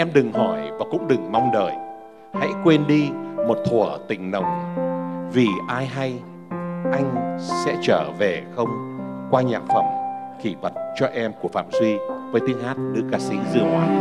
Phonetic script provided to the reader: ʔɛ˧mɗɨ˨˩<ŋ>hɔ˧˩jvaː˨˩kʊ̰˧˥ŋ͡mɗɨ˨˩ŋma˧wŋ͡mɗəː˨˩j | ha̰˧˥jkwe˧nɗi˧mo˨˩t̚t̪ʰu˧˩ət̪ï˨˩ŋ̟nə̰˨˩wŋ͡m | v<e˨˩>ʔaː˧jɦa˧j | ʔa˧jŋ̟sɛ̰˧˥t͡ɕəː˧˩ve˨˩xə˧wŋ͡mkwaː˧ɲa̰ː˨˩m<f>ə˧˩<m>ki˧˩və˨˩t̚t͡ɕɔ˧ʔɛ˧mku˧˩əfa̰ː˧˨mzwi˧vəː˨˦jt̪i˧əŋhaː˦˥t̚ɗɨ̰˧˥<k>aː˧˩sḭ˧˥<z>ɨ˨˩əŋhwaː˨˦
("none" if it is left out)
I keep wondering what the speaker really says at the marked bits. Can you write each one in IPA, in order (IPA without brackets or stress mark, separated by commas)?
ŋ, i˨˩, f, m, k, z